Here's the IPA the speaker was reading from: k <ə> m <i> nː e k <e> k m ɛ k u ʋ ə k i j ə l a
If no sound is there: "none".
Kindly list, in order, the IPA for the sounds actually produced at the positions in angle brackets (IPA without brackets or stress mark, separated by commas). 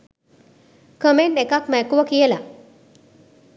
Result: ə, e, a